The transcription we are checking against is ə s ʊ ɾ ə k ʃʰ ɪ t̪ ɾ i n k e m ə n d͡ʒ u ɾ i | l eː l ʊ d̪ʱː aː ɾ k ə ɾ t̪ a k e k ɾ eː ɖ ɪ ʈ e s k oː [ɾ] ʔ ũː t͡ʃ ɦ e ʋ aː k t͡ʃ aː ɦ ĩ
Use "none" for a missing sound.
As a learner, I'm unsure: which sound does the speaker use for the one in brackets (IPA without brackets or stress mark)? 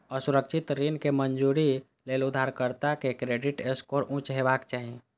ɾ